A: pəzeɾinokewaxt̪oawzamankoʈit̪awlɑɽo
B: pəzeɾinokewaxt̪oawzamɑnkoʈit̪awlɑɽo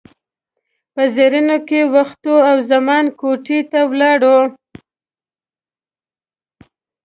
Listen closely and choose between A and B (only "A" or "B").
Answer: B